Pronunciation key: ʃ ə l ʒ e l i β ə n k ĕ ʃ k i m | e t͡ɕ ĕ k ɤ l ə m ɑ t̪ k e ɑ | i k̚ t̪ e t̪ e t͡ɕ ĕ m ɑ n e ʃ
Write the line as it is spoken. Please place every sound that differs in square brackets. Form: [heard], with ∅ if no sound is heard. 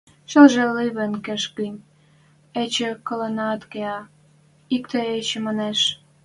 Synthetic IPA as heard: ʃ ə l ʒ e l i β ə n k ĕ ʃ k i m | e t͡ɕ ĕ k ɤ l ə [n] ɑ t̪ k e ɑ | i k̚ t̪ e [∅] e t͡ɕ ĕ m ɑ n e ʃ